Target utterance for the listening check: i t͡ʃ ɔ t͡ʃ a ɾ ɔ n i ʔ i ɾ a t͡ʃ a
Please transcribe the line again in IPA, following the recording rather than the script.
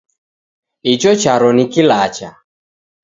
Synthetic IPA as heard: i t͡ʃ ɔ t͡ʃ a ɾ ɔ n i k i l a t͡ʃ a